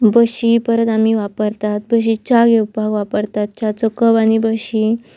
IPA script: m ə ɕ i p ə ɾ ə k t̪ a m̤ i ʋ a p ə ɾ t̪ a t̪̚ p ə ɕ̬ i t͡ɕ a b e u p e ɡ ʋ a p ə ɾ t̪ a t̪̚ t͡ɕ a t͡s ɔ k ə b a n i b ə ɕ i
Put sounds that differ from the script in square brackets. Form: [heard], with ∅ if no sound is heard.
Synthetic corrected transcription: [b] ə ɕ i p ə ɾ ə [∅] t̪ a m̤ i ʋ a p ə ɾ t̪ a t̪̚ [b] ə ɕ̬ i t͡ɕ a [ɡ] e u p [a] ɡ ʋ a p ə ɾ t̪ a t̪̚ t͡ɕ a t͡s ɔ k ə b a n i b ə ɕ i